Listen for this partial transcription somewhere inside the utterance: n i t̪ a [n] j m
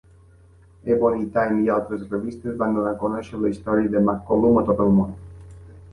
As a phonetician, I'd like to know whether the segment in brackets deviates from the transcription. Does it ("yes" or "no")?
yes